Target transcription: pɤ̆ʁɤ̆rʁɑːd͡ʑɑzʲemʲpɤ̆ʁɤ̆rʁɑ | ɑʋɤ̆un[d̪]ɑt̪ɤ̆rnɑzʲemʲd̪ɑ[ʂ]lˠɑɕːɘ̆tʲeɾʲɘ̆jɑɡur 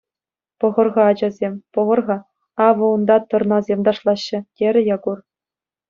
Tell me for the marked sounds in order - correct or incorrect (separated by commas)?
correct, correct